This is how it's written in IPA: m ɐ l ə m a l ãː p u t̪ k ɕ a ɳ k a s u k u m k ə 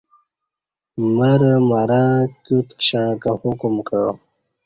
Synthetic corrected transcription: m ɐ ɾ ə m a ɾ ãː k u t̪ k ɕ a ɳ k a h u k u m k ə